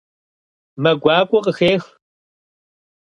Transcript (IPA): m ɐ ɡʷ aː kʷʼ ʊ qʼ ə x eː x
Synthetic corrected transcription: m ɐ ɡʷ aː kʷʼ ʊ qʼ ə x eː x